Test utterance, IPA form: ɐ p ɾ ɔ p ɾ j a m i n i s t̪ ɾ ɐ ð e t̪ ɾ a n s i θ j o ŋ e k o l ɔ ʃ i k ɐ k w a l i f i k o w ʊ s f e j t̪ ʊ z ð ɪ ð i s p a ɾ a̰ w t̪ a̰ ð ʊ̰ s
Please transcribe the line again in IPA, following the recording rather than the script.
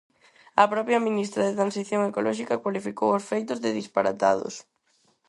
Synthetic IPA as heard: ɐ p ɾ ɔ p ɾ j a m i n i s t̪ ɾ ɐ ð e t̪ ɾ a n s i θ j o ŋ e k o l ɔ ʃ i k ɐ k w a l i f i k o w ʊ s f e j t̪ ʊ z ð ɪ ð i s p a ɾ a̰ t̪ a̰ ð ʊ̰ s

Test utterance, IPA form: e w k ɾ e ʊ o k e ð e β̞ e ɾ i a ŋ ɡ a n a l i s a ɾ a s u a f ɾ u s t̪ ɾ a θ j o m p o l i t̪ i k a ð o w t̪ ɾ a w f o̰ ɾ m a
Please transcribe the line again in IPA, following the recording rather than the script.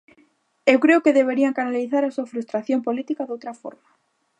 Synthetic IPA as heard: e w k ɾ e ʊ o k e ð e β̞ e ɾ i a ŋ k a n a l i θ a ɾ a s u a f ɾ u s t̪ ɾ a θ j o m p o l i t̪ i k a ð o w t̪ ɾ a f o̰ ɾ m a

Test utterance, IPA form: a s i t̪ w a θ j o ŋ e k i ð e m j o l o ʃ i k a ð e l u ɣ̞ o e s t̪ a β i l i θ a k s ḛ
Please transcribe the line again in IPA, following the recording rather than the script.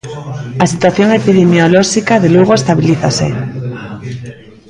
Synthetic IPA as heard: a s i t̪ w a θ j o ŋ e p i ð e m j o l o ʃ i k a ð e l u ɣ̞ o e s t̪ a β i l i θ a s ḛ

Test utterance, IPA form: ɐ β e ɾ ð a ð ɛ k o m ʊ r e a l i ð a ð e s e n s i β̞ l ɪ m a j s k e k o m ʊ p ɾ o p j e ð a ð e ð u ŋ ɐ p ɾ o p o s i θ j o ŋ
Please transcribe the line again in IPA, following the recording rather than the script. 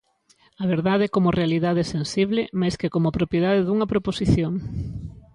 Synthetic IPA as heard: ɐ β e ɾ ð a ð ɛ k o m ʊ r e a l i ð a ð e s e n s i β̞ l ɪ m a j s k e k o m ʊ p ɾ o p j e ð a ð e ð u ŋ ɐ p ɾ o p o s i θ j o ŋ

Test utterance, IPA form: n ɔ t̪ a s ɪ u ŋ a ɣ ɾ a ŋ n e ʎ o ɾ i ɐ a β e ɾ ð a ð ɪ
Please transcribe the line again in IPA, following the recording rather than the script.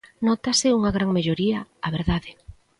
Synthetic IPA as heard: n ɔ t̪ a s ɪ u ŋ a ɣ ɾ a ŋ m e ʎ o ɾ i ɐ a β e ɾ ð a ð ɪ

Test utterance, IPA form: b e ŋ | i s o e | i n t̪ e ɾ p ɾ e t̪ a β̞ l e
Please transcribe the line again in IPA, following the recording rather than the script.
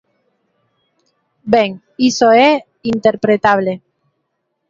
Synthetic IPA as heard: b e ŋ | i s o e | i n t̪ e ɾ p ɾ e t̪ a β̞ l e

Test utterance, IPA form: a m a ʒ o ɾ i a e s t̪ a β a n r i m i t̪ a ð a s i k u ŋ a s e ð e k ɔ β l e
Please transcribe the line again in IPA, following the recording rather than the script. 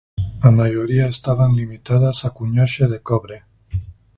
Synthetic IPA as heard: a m a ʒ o ɾ i a e s t̪ a β a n l i m i t̪ a ð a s a k u ɲ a ʃ e ð e k ɔ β ɾ e

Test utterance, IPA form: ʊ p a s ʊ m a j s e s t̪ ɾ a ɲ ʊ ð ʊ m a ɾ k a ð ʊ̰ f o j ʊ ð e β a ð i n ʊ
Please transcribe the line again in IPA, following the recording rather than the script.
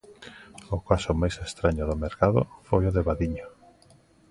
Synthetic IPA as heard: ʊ k a s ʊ m a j s e s t̪ ɾ a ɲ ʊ ð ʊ m e ɾ k a ð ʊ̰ f o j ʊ ð e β a ð i ɲ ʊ

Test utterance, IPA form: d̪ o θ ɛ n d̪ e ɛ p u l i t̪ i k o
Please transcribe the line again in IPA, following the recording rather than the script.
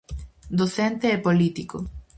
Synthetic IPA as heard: d̪ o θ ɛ n t̪ e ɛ p o l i t̪ i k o

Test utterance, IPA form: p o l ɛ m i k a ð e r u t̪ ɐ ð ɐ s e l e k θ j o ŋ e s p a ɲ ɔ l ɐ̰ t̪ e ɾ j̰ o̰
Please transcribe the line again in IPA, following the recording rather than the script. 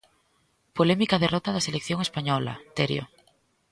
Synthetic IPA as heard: p o l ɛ m i k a ð e r ɔ t̪ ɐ ð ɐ s e l e k θ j o ŋ e s p a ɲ ɔ l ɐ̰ t̪ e ɾ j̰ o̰

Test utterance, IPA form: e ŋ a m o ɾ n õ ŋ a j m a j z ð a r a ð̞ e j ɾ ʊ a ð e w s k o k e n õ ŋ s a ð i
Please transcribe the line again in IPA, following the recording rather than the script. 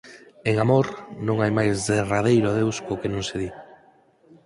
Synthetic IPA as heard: e ŋ a m o ɾ n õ ŋ a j m a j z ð e r a ð̞ e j ɾ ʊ a ð e w s k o k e n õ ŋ s e ð i

